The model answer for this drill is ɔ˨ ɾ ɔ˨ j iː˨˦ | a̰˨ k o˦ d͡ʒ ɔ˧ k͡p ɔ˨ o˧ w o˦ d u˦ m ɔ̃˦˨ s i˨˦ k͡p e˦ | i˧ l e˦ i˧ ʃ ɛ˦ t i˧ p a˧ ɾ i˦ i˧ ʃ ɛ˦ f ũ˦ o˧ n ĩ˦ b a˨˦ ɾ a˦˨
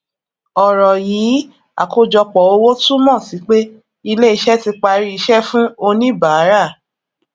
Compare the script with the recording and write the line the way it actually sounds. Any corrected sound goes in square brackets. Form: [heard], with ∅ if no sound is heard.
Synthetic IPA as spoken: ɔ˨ ɾ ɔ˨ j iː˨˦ | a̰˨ k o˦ d͡ʒ ɔ˧ k͡p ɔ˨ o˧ w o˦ [t] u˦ m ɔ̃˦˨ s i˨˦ k͡p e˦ | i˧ l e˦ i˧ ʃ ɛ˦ t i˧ [k͡p] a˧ ɾ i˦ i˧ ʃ ɛ˦ f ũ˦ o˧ n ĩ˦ b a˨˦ ɾ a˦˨